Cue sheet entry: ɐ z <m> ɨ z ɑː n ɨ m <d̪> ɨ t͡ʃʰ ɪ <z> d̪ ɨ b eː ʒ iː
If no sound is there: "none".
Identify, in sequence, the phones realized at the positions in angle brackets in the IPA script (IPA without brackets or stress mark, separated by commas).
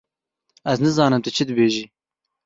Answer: n, t̪, none